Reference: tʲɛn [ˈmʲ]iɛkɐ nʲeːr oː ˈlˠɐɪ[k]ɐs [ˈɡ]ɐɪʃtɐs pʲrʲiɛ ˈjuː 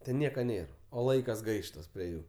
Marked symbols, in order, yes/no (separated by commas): no, yes, yes